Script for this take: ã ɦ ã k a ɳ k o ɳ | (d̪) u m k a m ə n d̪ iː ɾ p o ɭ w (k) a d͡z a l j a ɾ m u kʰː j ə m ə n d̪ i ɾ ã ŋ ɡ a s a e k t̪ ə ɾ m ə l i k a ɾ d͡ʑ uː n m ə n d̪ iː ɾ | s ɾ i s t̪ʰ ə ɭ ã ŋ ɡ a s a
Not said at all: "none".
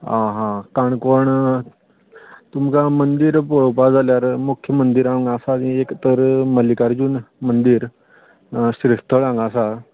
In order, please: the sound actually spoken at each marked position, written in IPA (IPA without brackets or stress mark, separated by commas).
t̪, p